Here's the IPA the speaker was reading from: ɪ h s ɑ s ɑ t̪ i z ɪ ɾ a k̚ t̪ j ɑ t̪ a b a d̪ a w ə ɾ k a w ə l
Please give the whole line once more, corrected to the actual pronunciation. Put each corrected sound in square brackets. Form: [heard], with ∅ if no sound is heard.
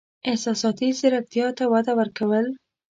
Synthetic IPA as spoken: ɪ h s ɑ s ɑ t̪ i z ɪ ɾ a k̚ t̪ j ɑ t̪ a [w] a d̪ a w ə ɾ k a w ə l